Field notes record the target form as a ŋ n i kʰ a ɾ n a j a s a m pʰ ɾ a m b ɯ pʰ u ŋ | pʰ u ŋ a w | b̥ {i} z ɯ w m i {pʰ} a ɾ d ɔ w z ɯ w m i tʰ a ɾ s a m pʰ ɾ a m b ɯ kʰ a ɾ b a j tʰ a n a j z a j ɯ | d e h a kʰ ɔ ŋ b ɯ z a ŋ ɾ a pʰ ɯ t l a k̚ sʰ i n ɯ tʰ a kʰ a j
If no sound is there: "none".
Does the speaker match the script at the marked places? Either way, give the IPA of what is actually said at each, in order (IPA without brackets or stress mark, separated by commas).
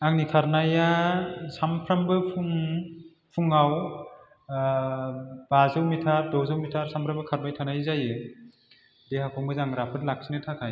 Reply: a, tʰ